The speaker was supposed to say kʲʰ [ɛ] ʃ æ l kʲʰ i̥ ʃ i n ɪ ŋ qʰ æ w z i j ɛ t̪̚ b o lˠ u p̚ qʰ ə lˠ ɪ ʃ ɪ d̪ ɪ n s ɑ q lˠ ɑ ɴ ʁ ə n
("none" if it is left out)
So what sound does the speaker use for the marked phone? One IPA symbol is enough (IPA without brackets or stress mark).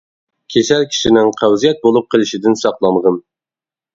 e